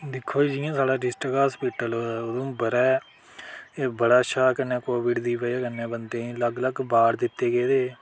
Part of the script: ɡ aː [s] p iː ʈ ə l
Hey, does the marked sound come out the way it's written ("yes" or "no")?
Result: yes